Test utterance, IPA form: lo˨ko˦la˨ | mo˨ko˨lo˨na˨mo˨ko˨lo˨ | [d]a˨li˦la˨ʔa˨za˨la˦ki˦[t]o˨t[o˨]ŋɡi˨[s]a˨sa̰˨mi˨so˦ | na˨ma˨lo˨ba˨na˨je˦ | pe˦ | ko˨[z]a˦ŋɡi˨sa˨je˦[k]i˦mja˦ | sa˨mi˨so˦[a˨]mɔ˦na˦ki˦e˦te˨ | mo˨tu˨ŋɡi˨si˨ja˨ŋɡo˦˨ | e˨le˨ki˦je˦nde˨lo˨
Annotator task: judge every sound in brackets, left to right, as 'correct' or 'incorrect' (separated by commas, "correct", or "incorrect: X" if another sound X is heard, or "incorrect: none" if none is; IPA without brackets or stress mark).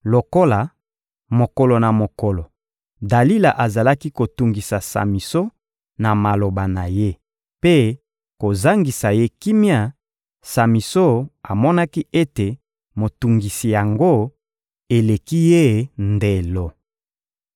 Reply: correct, incorrect: k, incorrect: u˨, correct, correct, correct, correct